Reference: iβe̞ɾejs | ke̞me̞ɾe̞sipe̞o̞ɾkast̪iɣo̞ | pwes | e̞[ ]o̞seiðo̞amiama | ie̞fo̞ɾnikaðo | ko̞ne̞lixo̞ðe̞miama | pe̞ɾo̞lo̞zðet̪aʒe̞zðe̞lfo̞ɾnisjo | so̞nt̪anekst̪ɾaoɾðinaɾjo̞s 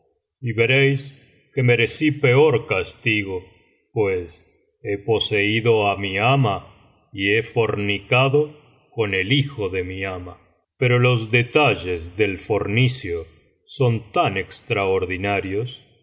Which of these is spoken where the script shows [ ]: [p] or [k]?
p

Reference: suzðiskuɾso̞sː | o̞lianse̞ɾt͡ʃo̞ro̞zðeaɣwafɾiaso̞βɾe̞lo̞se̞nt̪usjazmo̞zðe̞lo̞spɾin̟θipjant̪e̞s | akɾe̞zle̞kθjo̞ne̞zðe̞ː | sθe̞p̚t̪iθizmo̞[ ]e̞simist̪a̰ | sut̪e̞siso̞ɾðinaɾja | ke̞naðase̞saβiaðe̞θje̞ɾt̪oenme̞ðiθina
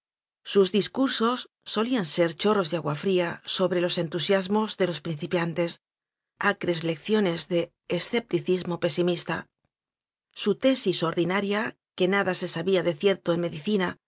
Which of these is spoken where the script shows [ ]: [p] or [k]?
p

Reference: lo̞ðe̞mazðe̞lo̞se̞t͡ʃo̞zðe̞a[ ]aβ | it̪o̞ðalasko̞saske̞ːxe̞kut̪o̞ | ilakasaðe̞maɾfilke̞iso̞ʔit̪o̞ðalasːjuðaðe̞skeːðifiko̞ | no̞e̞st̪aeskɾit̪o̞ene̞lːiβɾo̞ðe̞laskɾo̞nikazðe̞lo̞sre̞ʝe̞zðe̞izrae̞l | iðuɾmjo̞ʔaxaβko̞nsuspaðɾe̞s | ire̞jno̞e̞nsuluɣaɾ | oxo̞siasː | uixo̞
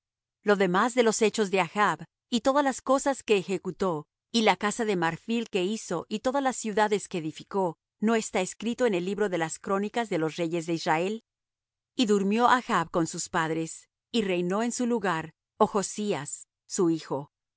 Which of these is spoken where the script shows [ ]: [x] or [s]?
x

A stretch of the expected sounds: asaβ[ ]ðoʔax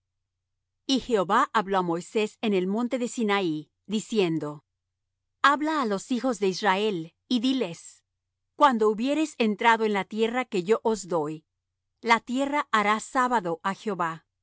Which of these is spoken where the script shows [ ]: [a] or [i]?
a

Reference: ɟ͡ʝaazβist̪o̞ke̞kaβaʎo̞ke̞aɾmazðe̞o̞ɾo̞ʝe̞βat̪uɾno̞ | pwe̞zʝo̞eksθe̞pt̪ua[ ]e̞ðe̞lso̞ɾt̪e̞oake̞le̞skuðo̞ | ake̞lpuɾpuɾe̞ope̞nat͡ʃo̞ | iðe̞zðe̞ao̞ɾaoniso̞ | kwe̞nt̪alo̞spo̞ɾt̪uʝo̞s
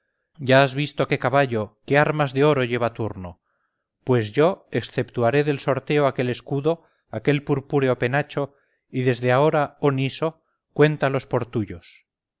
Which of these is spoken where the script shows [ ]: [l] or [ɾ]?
ɾ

